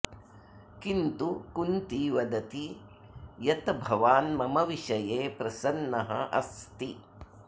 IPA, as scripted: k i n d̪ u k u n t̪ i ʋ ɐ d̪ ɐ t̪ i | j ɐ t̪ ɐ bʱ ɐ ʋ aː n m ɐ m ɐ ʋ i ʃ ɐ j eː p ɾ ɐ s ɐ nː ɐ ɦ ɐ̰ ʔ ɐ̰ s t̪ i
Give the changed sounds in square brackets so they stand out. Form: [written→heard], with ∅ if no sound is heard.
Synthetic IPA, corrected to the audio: k i n [d̪→t̪] u k u n t̪ i ʋ ɐ d̪ ɐ t̪ i | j ɐ t̪ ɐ bʱ ɐ ʋ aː n m ɐ m ɐ ʋ i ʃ ɐ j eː p ɾ ɐ s ɐ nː ɐ ɦ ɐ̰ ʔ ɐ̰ s t̪ i